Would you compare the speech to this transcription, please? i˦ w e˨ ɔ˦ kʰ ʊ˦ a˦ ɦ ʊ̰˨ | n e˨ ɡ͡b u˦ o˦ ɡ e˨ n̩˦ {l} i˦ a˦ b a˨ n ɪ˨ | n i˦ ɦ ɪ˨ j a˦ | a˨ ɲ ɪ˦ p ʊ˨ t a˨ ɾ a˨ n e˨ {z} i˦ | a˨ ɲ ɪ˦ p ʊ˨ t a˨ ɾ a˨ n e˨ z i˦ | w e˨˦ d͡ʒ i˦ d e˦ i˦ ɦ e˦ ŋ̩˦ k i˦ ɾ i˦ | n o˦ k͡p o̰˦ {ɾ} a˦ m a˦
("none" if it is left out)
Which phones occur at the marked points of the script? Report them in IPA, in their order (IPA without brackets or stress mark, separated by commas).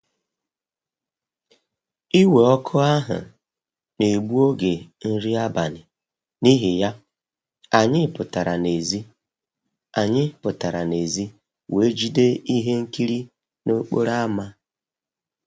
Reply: ɾ, z, ɾ